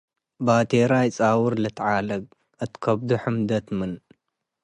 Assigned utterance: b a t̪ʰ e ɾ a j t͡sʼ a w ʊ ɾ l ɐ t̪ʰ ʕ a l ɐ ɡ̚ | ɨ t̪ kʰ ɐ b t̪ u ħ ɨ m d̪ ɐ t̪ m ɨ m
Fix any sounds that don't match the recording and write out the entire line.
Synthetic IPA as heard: b a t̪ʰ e ɾ a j t͡sʼ a w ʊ ɾ l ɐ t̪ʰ ʕ a l ɐ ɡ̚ | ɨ t̪ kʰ ɐ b d̪ u ħ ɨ m d̪ ɐ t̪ m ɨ n